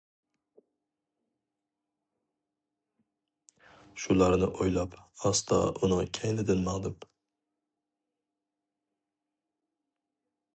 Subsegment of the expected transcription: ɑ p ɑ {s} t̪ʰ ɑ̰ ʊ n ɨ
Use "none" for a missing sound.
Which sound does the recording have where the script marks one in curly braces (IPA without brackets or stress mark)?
s